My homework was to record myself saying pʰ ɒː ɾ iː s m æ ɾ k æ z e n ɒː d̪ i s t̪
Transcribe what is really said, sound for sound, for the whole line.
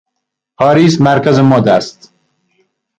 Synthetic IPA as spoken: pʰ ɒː ɾ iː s m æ ɾ k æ z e m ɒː d̪ æ s t̪